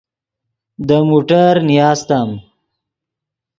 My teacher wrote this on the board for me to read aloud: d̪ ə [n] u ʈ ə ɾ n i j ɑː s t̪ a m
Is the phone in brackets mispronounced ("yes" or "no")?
yes